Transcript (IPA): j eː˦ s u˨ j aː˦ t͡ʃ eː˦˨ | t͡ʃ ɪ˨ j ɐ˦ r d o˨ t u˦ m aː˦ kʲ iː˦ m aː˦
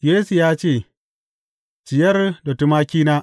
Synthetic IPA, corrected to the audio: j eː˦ s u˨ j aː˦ t͡ʃ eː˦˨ | t͡ʃ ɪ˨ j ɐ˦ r d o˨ t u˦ m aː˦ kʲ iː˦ n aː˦